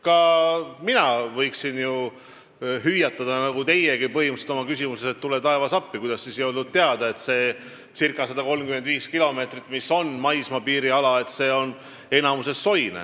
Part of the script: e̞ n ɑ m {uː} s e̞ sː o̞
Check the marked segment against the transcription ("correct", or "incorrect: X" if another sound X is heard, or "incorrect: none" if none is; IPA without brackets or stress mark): incorrect: u